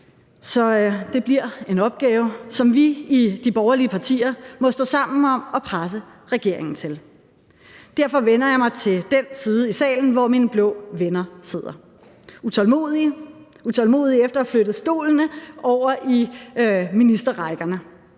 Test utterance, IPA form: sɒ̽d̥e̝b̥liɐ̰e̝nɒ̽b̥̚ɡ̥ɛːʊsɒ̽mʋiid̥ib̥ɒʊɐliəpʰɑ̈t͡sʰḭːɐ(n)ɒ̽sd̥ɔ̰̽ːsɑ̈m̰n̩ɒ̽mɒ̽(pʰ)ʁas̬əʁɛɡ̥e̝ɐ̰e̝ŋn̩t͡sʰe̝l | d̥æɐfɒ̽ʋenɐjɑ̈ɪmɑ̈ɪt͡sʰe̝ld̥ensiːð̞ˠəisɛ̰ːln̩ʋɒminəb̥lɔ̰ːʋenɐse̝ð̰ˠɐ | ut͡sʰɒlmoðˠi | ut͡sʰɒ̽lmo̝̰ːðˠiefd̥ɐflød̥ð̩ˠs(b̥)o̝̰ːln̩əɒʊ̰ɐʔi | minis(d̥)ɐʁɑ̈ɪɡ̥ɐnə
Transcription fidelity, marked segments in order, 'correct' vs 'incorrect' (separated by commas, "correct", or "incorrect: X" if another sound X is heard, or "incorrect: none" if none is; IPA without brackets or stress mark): incorrect: m, correct, incorrect: d̥, correct